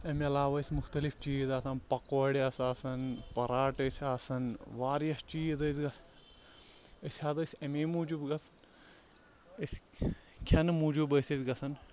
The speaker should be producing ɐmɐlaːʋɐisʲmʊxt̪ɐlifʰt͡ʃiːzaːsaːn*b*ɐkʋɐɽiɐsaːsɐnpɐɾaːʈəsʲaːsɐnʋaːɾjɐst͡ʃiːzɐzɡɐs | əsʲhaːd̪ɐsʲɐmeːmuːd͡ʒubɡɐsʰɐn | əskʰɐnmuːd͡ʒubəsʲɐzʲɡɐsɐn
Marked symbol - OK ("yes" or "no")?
no